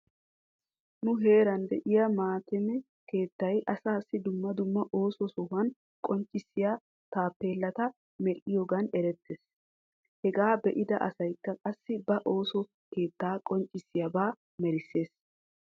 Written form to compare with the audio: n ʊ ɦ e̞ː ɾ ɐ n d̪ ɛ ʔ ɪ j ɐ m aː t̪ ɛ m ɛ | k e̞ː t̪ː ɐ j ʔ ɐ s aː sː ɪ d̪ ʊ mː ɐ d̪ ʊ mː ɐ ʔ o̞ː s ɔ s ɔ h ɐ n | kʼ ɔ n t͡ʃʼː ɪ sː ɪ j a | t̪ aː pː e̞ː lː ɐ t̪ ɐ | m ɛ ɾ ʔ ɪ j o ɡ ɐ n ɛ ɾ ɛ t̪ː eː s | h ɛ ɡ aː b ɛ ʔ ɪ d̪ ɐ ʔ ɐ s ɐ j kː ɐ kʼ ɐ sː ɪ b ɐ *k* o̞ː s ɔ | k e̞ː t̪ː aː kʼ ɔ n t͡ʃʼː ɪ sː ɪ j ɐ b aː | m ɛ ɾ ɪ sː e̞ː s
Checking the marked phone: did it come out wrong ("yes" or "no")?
yes